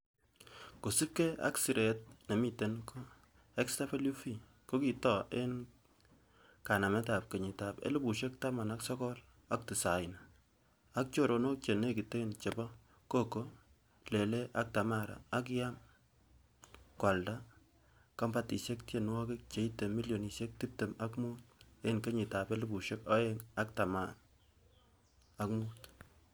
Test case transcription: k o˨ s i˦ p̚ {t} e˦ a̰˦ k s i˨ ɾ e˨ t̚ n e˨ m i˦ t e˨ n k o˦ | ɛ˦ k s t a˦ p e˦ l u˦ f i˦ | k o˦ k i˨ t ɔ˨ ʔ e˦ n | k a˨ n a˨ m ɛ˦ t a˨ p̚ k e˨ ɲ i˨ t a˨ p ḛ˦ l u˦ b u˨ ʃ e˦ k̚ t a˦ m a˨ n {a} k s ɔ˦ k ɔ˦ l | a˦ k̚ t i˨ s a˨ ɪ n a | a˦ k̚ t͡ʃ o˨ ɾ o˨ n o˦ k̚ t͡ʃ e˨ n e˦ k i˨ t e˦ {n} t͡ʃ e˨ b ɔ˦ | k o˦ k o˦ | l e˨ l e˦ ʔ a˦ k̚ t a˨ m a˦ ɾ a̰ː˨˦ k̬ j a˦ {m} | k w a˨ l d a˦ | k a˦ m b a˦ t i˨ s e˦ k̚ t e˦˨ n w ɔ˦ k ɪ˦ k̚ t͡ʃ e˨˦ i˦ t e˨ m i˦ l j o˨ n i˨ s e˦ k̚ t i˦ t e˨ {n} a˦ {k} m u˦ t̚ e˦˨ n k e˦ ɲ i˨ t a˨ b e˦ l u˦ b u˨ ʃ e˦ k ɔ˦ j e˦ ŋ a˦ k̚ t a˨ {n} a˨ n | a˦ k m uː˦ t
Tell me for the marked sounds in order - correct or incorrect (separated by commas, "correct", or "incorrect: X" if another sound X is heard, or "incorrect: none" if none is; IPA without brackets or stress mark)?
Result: incorrect: k, correct, correct, correct, incorrect: m, correct, incorrect: m